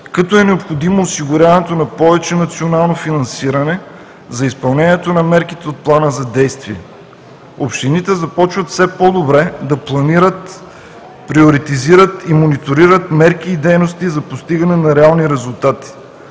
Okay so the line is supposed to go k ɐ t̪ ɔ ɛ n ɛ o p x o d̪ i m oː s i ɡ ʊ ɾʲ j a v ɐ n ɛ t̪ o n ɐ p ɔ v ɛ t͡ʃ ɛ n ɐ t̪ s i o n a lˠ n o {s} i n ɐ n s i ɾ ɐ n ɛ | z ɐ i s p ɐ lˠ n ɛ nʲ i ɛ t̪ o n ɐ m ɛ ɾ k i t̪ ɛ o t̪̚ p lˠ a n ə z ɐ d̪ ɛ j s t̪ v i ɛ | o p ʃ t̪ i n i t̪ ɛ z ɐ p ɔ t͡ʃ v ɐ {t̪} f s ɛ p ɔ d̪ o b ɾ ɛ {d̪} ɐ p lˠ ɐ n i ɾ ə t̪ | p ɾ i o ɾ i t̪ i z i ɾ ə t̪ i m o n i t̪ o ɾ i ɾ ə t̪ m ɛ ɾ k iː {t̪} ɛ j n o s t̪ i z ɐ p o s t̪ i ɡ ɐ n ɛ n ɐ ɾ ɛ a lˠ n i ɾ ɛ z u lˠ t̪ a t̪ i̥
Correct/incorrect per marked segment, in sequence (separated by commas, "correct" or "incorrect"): incorrect, correct, correct, incorrect